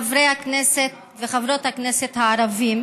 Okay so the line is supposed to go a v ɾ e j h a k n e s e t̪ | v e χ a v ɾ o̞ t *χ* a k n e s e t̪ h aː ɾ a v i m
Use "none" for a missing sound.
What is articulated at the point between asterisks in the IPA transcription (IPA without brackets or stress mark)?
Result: h